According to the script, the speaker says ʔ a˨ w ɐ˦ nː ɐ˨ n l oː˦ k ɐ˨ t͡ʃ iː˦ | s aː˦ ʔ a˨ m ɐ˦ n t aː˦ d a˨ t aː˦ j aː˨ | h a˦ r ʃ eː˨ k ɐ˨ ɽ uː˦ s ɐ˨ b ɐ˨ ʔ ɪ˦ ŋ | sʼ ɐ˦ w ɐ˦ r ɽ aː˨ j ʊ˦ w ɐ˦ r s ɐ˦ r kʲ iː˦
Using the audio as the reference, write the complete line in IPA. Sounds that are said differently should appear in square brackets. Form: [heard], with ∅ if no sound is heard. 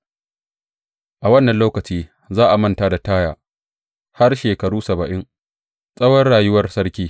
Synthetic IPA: ʔ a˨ w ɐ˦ nː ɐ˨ n l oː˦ k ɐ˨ t͡ʃ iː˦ | [z] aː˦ ʔ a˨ m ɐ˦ n t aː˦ d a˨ t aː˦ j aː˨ | h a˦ r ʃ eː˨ k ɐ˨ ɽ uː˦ s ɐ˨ b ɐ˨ ʔ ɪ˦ ŋ | sʼ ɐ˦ w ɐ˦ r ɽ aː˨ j ʊ˦ w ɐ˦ r s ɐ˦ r kʲ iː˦